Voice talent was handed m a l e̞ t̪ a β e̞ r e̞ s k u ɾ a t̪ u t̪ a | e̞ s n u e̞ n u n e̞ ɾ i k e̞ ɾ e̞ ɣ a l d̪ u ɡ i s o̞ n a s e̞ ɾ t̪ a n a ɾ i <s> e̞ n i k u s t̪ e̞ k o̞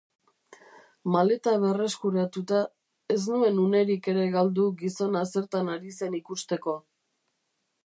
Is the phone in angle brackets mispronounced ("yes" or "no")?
no